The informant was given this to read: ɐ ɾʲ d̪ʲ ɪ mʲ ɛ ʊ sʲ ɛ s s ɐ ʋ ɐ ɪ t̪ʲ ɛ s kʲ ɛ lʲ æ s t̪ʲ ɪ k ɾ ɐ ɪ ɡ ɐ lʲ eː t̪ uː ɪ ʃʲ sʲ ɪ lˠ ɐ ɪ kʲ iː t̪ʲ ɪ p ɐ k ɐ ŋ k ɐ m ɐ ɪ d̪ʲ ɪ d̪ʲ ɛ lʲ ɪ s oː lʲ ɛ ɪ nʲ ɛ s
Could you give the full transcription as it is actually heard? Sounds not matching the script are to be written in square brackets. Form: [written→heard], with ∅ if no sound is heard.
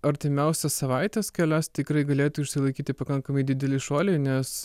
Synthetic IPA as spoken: ɐ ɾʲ [d̪ʲ→t̪ʲ] ɪ mʲ ɛ ʊ sʲ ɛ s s ɐ ʋ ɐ ɪ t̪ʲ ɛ s kʲ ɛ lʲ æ s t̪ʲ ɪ k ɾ ɐ ɪ ɡ ɐ lʲ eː t̪ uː ɪ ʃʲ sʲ ɪ lˠ ɐ ɪ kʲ iː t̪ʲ ɪ p ɐ k ɐ ŋ k ɐ m ɐ ɪ d̪ʲ ɪ d̪ʲ ɛ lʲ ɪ [s→ʃ] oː lʲ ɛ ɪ nʲ ɛ s